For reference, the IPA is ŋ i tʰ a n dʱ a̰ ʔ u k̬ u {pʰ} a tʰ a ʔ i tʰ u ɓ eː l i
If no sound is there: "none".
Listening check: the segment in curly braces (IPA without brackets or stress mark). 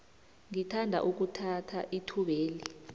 tʰ